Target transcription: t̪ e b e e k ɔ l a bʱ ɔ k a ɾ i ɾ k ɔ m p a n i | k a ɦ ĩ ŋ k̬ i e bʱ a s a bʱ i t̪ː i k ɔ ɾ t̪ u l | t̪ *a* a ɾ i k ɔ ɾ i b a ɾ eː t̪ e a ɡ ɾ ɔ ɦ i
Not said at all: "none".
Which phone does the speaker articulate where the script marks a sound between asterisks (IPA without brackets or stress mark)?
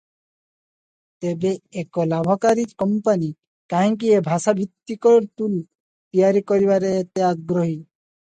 i